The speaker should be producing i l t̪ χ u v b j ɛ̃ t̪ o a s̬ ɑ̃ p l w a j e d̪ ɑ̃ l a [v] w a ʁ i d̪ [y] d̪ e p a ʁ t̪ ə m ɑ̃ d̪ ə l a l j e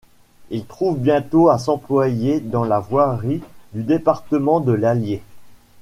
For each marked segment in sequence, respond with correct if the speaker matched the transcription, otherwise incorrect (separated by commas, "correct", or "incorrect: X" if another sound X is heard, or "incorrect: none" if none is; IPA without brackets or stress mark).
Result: correct, correct